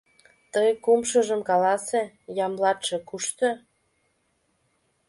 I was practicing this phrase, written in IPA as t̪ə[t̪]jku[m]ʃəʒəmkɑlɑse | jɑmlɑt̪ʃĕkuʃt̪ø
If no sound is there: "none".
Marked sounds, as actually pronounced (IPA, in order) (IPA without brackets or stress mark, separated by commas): none, m